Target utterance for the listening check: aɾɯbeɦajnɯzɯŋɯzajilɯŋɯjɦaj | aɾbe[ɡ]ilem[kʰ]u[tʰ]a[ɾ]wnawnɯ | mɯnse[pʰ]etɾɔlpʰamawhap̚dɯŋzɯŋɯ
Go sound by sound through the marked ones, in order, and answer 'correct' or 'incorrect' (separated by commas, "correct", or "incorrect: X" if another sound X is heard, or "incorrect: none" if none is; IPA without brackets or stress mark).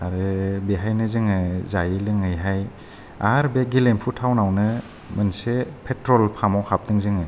correct, incorrect: pʰ, correct, incorrect: none, correct